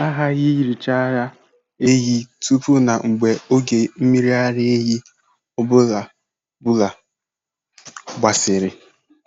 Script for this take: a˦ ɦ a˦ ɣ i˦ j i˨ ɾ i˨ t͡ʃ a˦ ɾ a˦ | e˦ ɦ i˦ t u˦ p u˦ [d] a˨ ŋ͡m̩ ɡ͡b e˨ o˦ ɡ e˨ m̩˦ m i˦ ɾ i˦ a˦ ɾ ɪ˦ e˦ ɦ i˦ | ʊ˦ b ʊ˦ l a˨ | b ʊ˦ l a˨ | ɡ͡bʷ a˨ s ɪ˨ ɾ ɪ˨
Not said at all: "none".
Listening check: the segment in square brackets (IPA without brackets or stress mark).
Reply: n